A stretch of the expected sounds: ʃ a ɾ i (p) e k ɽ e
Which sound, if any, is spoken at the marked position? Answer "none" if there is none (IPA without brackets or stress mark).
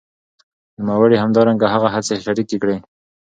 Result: k